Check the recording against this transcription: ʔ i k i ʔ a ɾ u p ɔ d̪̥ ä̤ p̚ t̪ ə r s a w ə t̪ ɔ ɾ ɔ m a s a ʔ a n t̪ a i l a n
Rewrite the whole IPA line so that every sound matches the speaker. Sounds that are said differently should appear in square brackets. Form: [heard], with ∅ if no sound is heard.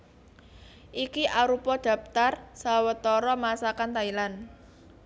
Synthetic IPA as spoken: ʔ i k i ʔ a ɾ u p ɔ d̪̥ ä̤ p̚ t̪ [a] r s a w ə t̪ ɔ ɾ ɔ m a s a [k] a n t̪ a i l a n